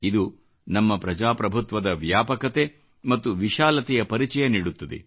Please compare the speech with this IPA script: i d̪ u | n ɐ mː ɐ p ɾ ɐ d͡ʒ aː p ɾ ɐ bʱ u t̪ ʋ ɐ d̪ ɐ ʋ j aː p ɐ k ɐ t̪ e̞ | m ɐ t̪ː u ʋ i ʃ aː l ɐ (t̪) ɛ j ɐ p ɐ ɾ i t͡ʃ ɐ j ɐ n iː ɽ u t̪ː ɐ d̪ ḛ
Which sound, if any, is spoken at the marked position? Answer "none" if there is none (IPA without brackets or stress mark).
t̪